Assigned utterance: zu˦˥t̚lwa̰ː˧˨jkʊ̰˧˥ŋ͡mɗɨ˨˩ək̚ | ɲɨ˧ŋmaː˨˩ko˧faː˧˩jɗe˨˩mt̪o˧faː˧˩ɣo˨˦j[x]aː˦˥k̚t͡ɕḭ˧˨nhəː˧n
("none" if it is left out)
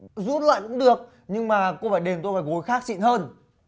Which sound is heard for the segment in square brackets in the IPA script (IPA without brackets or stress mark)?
x